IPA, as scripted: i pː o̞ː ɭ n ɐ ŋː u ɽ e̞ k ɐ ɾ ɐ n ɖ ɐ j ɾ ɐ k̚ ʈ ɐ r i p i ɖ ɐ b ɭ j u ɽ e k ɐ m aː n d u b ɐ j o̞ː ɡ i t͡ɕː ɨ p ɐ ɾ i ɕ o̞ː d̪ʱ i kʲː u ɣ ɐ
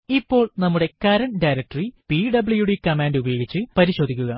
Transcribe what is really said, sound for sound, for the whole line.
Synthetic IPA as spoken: i pː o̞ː ɭ n ɐ mː u ɽ e̞ k ɐ ɾ ɐ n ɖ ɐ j ɾ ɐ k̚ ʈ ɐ r i p i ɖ ɐ b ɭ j u ɽ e k ɐ m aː n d u b ɐ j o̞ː ɡ i t͡ɕː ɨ p ɐ ɾ i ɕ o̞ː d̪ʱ i kʲː u ɣ ɐ